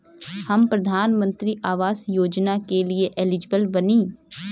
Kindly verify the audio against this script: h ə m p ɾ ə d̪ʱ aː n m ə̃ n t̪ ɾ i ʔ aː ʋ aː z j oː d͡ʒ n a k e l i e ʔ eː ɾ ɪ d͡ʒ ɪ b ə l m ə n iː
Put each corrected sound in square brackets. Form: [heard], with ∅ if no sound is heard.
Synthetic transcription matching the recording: h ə m p ɾ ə d̪ʱ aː n m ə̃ n t̪ ɾ i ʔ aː ʋ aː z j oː d͡ʒ n a k e l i e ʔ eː [l] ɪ d͡ʒ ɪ b ə l [b] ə n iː